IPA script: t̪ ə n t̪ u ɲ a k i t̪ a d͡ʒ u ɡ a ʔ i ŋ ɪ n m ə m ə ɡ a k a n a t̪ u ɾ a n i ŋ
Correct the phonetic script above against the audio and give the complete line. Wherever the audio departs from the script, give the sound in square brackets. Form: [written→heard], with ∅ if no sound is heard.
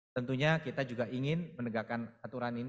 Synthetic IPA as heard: t̪ ə n t̪ u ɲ a k i t̪ a d͡ʒ u ɡ a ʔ i ŋ ɪ n m ə [m→n] ə ɡ a k a n a t̪ u ɾ a n i [ŋ→n]